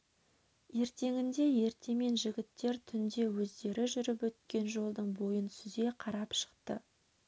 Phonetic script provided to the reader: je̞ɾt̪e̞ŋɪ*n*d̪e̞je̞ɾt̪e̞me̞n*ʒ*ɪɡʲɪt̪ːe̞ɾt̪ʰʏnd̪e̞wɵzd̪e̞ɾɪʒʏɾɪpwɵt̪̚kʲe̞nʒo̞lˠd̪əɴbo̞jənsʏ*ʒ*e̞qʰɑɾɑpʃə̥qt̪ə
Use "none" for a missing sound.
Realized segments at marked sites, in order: n, ʒ, z

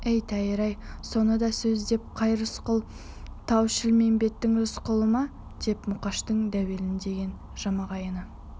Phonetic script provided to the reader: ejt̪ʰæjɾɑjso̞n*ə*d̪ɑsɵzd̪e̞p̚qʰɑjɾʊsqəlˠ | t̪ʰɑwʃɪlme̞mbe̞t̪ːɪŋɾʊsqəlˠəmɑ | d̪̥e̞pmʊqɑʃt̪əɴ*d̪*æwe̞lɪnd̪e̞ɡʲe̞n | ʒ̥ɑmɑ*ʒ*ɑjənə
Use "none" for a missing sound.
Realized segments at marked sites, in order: ə, d̪, ʁ

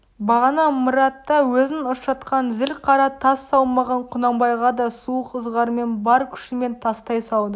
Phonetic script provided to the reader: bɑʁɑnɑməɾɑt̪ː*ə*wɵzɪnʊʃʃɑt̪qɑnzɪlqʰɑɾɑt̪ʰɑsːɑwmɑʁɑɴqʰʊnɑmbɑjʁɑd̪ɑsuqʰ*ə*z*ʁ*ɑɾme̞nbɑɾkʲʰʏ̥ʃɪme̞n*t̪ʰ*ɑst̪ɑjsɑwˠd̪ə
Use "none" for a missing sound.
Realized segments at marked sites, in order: ɑ, ə, ʁ, t̪ʰ

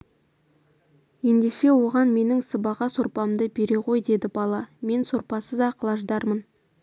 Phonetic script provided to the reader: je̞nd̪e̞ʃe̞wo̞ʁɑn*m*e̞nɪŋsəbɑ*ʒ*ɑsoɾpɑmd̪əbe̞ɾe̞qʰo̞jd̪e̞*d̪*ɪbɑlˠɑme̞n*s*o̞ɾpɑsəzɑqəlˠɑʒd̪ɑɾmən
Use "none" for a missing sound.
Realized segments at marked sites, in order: m, ʁ, d̪, s

